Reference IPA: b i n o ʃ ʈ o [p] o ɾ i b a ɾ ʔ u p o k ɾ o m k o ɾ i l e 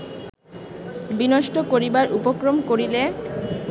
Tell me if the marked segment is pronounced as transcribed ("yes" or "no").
no